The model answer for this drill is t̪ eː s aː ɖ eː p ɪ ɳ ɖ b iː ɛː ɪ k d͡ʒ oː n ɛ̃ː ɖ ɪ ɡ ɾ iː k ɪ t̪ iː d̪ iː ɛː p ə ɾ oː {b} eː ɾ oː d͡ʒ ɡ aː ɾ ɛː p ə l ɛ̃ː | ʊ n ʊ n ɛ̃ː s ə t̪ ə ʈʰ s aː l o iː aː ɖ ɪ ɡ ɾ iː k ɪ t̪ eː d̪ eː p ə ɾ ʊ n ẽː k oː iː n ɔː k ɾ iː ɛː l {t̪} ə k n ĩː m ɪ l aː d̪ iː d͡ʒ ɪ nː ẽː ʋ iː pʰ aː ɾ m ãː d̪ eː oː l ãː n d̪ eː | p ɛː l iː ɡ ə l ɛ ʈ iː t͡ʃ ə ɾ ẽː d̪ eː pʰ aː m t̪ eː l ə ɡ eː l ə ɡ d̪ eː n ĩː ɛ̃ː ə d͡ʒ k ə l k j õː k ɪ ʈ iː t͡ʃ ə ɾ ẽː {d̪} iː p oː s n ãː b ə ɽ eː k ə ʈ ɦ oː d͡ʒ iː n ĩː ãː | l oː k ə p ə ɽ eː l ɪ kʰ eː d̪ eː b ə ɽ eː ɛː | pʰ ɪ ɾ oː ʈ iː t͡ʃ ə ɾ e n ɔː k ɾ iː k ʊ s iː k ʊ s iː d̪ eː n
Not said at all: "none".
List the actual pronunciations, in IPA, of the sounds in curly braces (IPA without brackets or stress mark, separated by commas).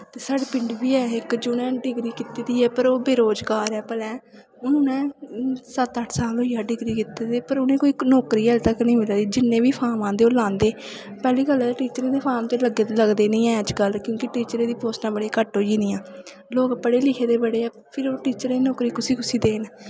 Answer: b, t̪, d̪